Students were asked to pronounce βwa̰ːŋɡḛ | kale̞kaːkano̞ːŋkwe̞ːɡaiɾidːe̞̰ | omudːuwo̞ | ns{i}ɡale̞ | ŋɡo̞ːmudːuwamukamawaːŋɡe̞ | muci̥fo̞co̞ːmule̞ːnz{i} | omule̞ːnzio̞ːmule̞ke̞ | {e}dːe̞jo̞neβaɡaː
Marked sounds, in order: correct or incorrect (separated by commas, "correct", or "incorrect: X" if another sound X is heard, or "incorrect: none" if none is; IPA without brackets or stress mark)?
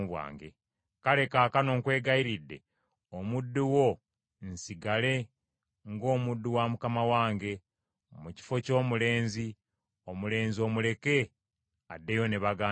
correct, correct, incorrect: a